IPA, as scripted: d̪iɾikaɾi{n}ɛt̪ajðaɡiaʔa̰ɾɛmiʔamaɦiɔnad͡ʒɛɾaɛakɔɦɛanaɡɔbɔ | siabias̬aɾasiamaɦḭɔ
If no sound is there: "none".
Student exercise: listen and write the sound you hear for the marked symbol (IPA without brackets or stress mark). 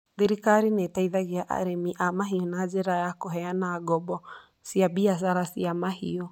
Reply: n